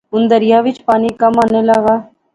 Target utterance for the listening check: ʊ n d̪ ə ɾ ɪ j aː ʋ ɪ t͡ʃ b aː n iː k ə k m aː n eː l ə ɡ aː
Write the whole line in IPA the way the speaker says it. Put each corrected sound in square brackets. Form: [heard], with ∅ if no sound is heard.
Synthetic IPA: ʊ n d̪ ə ɾ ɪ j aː ʋ ɪ t͡ʃ [p] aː n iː k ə [∅] m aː n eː l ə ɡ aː

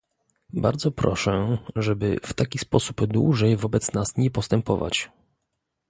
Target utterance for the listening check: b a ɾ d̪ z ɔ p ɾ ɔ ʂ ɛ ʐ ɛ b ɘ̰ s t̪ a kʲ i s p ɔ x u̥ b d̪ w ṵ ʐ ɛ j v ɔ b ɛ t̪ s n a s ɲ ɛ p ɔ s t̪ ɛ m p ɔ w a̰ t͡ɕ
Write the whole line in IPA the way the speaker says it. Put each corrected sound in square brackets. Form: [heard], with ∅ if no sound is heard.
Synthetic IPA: b a ɾ d̪ z ɔ p ɾ ɔ ʂ ɛ ʐ ɛ b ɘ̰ [f] t̪ a kʲ i s p ɔ [s] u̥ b d̪ w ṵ ʐ ɛ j v ɔ b ɛ t̪ s n a s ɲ ɛ p ɔ s t̪ ɛ m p ɔ [v] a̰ t͡ɕ

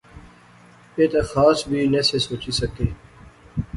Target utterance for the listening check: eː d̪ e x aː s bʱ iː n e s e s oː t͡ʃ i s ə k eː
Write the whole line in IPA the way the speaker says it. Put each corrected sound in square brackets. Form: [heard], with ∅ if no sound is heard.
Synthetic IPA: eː [t̪] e x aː s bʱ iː n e s e s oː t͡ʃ i s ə k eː

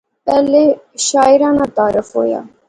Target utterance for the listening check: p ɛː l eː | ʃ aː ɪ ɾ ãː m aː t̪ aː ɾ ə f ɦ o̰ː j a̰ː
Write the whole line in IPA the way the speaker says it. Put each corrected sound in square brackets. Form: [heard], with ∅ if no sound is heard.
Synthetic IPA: p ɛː l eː | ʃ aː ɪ ɾ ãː [n] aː t̪ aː ɾ ə f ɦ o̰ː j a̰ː

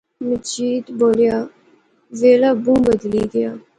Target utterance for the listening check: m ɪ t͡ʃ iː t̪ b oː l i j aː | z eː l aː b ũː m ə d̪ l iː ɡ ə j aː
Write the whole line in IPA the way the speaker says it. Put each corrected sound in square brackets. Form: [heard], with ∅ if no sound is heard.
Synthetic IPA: m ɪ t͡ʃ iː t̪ b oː l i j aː | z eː l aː b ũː [b] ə d̪ l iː ɡ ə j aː

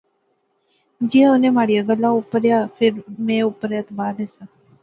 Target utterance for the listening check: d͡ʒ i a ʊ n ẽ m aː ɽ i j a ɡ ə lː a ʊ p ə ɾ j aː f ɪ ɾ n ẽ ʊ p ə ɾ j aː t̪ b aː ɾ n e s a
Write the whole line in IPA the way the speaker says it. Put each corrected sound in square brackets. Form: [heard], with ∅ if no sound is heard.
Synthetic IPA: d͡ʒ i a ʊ n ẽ m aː ɽ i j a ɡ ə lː a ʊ p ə ɾ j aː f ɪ ɾ [m] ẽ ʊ p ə ɾ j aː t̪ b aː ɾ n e s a

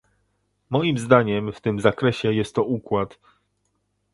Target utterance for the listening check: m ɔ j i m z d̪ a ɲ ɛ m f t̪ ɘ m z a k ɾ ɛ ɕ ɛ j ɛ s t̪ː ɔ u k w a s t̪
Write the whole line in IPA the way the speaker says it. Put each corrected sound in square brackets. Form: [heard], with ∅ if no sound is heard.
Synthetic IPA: m ɔ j i m z d̪ a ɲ ɛ m f t̪ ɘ m z a k ɾ ɛ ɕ ɛ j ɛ s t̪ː ɔ u k w a [∅] t̪

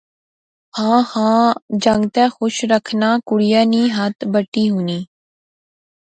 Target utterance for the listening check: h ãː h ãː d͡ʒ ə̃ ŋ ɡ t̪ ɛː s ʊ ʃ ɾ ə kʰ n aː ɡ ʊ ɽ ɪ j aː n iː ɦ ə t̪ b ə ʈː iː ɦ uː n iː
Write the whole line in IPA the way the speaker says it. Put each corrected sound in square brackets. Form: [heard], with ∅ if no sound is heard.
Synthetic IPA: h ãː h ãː d͡ʒ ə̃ ŋ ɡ t̪ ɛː [x] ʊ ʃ ɾ ə kʰ n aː [k] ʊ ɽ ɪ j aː n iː ɦ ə t̪ b ə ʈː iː ɦ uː n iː

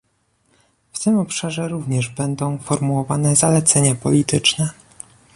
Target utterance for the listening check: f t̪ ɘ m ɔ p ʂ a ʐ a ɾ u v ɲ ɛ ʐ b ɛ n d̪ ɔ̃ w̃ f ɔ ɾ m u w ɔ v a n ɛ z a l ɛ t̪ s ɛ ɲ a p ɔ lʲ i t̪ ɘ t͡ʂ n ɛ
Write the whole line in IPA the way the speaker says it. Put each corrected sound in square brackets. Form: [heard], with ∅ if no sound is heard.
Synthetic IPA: f t̪ ɘ m ɔ p ʂ a ʐ [ɛ] ɾ u v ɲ ɛ ʐ b ɛ n d̪ ɔ̃ w̃ f ɔ ɾ m u w ɔ v a n ɛ z a l ɛ t̪ s ɛ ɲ a p ɔ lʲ i t̪ ɘ t͡ʂ n ɛ

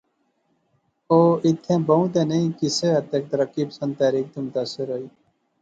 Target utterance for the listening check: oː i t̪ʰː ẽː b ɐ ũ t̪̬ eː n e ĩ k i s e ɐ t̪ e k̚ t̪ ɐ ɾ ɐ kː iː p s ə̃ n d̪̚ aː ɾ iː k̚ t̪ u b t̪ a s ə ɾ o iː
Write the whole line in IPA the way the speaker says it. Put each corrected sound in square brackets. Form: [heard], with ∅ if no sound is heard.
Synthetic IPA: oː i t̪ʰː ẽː b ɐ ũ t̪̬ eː n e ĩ k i s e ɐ t̪ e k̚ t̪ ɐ ɾ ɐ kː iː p s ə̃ n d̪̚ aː ɾ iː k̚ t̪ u [m] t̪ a s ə ɾ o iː

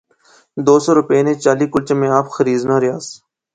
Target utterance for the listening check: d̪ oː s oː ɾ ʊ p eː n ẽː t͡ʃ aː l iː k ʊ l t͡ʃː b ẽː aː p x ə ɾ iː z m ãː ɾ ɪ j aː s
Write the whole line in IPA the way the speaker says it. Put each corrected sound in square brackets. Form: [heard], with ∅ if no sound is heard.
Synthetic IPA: d̪ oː s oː ɾ ʊ p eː n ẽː t͡ʃ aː l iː k ʊ l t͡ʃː [m] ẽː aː p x ə ɾ iː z [n] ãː ɾ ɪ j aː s

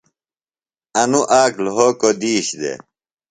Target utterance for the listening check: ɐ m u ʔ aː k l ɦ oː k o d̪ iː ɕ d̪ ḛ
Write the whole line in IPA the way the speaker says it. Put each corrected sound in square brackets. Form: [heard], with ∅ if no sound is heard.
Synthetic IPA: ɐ [n] u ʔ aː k l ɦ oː k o d̪ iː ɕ d̪ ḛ

